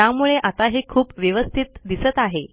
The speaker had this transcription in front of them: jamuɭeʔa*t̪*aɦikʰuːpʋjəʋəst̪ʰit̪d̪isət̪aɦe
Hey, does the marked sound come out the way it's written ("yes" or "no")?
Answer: yes